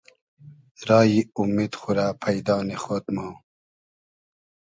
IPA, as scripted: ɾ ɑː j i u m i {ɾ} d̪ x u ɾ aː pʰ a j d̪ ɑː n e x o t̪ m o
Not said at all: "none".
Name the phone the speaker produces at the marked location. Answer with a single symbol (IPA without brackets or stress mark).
none